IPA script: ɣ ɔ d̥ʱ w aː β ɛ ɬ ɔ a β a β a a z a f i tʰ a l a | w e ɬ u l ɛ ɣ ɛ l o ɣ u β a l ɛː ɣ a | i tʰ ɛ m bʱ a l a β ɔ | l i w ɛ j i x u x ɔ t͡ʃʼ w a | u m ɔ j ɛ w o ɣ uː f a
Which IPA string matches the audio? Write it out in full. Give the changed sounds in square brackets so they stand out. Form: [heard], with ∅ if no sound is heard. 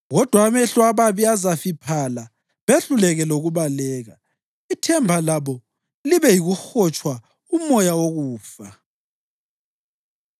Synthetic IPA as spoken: ɣ ɔ d̥ʱ w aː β ɛ ɬ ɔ a β a β [i] a z a f i [pʰ] a l a | [β] e ɬ u l ɛ ɣ ɛ l o ɣ u β a l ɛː ɣ a | i tʰ ɛ m bʱ a l a β ɔ | l i [β] ɛ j i [ɣ] u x ɔ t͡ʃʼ w a | u m ɔ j [a] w o ɣ uː f a